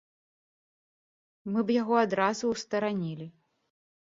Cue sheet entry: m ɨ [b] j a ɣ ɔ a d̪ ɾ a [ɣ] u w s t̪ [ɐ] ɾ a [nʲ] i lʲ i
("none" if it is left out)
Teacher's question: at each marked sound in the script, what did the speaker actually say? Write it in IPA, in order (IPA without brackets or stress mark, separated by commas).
b, z, ɐ, nʲ